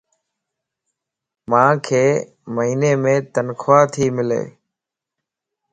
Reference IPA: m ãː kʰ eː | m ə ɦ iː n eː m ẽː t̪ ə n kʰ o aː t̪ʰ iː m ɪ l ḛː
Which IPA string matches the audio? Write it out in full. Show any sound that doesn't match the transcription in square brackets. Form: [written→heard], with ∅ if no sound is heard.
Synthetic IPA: m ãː kʰ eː | m ə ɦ iː n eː m ẽː t̪ ə n kʰ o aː t̪ʰ iː m ɪ l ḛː